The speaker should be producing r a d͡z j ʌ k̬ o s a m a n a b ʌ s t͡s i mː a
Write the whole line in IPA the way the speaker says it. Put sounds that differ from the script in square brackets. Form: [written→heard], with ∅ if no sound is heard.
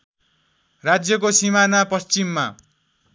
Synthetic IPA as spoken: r a d͡z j ʌ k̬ o s [a→i] m a n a [b→p] ʌ s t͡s i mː a